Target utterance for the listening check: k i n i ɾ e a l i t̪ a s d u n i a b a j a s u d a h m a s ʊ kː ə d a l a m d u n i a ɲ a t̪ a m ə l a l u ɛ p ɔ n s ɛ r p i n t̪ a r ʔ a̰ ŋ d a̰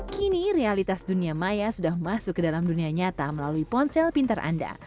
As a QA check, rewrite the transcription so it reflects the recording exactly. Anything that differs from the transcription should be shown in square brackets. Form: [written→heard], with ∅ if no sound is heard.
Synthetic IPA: k i n i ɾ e a l i t̪ a s d u n i a [b→m] a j a s u d a h m a s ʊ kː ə d a l a m d u n i a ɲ a t̪ a m ə l a l u [ɛ→i] p ɔ n s ɛ [r→l] p i n t̪ a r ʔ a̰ [ŋ→n] d a̰